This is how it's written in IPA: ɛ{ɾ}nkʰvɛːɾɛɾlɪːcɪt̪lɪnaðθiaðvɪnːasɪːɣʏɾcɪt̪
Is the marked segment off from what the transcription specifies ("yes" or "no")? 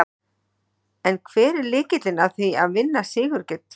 yes